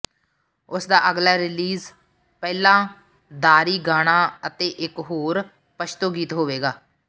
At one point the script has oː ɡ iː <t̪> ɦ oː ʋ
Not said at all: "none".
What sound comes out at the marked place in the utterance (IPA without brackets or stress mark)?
t̪